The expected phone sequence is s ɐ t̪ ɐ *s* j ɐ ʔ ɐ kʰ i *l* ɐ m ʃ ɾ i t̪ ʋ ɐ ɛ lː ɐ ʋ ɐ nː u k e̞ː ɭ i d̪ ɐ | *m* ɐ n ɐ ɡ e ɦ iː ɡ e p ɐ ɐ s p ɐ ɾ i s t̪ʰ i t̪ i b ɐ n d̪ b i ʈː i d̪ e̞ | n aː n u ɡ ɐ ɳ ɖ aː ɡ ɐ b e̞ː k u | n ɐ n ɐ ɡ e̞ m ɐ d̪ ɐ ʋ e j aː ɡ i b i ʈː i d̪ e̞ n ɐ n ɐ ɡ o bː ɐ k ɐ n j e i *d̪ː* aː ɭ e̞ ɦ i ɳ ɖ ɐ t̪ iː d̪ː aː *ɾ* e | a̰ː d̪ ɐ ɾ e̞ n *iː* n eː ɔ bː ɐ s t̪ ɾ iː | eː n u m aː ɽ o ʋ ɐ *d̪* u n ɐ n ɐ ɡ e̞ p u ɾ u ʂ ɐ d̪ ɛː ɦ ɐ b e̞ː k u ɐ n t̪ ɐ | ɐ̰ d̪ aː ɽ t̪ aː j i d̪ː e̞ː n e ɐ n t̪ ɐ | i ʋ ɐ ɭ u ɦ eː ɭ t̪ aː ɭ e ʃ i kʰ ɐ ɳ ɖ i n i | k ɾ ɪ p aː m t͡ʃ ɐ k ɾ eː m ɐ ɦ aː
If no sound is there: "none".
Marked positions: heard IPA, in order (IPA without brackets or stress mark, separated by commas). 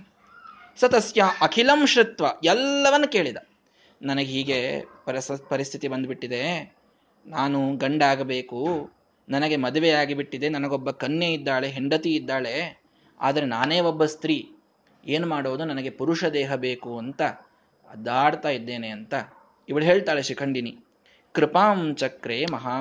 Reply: s, l, n, d̪ː, ɭ, aː, d̪